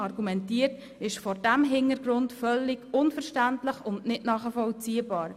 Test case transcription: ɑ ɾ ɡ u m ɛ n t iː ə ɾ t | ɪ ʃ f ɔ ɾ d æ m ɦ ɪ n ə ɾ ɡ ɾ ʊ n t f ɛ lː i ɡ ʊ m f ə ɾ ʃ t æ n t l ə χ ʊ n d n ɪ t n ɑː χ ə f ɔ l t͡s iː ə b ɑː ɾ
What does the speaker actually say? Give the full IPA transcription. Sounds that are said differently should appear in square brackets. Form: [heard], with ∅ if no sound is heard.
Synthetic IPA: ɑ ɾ ɡ u m ɛ n t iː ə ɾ t | ɪ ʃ f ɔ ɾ d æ m ɦ ɪ n ə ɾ ɡ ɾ ʊ n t f [œ] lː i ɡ ʊ [n] f ə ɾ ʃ t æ n t l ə χ ʊ n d n ɪ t n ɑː χ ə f ɔ l t͡s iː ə b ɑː ɾ